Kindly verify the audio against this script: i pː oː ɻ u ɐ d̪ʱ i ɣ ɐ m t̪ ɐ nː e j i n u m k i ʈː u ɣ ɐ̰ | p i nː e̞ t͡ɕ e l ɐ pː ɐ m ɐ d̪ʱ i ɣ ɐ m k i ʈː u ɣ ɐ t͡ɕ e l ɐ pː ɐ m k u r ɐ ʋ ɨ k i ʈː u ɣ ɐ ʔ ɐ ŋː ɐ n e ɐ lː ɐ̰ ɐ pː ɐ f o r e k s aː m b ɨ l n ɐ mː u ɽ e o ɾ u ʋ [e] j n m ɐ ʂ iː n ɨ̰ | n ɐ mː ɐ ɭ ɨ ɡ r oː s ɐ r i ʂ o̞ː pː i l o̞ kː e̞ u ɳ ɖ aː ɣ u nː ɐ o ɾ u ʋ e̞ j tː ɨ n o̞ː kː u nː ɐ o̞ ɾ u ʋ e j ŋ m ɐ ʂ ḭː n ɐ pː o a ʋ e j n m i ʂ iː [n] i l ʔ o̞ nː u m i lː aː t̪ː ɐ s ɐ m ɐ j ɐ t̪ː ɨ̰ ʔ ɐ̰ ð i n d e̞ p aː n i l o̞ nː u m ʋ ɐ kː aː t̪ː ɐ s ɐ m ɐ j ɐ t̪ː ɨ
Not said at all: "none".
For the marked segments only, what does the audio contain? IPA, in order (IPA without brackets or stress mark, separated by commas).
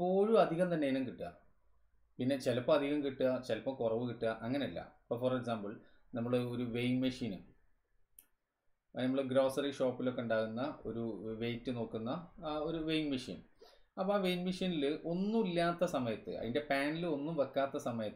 e, n